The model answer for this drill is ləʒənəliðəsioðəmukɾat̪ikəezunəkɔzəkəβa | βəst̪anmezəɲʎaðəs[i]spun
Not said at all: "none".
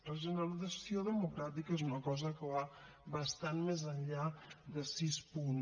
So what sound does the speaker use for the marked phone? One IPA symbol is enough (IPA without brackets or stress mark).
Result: i